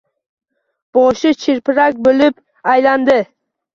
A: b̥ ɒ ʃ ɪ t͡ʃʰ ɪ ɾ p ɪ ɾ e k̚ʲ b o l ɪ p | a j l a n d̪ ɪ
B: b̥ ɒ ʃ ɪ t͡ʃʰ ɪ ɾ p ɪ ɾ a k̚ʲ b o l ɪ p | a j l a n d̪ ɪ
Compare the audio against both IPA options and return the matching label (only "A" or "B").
B